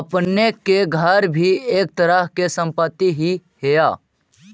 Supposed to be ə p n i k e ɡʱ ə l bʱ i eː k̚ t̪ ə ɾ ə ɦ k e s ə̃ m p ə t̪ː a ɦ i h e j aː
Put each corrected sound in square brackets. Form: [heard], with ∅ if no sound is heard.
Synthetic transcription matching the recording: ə p n [e] k e ɡʱ ə [ɾ] bʱ i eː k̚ t̪ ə ɾ ə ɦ k e s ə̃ m p ə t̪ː [i] ɦ i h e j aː